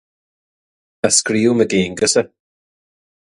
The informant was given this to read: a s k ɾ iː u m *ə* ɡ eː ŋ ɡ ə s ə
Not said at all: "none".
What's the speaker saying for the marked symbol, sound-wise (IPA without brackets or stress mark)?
ə